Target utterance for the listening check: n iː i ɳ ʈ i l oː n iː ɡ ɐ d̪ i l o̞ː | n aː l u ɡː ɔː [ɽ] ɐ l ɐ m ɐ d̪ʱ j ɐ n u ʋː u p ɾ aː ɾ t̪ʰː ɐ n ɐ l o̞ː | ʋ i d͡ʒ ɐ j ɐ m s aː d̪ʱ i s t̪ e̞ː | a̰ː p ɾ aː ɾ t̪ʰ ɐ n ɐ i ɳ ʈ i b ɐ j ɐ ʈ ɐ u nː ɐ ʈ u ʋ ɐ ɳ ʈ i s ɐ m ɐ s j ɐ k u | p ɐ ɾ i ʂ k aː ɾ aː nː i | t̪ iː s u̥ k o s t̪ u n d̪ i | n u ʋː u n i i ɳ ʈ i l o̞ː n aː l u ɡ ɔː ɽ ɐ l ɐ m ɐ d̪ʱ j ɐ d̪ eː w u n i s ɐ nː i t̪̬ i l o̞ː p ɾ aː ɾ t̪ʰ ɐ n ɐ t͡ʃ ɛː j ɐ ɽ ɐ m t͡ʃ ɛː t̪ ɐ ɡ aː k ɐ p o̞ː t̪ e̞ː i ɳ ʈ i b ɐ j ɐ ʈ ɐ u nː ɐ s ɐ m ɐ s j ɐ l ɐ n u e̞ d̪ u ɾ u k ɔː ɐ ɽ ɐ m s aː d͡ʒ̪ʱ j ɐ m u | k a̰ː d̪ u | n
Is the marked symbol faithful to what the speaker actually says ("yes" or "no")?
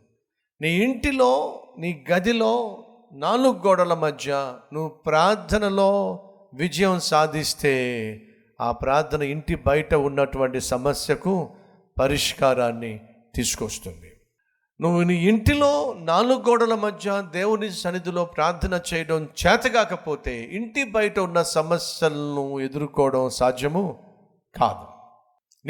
yes